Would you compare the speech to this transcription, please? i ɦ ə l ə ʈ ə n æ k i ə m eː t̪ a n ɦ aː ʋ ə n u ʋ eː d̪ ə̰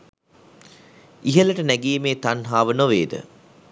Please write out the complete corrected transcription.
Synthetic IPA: i ɦ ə l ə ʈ ə n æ ɡ i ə m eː t̪ a n ɦ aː ʋ ə n o ʋ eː d̪ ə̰